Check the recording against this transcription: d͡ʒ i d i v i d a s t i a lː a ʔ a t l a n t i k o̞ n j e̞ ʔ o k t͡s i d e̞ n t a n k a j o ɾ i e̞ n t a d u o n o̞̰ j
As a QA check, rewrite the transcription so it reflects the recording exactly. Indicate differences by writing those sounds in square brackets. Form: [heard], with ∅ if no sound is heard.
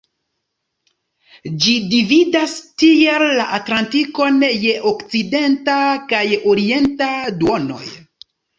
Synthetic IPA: d͡ʒ i d i v i d a s t i [e] lː a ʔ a t l a n t i k o̞ n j e̞ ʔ o k t͡s i d e̞ n t a [∅] k a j o ɾ i e̞ n t a d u o n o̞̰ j